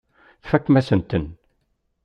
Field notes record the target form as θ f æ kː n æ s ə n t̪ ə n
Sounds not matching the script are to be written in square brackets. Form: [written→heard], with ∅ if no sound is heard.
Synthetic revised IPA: θ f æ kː [n→m] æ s ə n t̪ ə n